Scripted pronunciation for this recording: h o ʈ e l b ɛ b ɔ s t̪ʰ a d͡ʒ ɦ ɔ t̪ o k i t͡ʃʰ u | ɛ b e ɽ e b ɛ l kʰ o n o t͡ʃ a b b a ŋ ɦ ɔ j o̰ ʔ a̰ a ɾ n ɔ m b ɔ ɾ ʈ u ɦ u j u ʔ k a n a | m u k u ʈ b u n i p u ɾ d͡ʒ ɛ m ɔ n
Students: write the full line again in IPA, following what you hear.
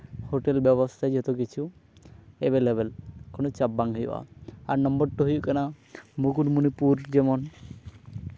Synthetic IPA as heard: h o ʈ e l b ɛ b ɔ s t̪ʰ a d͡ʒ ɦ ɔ t̪ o k i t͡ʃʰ u | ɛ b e l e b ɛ l k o n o t͡ʃ a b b a ŋ ɦ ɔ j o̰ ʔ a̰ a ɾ n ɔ m b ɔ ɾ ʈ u ɦ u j u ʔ k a n a | m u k u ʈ m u n i p u ɾ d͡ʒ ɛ m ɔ n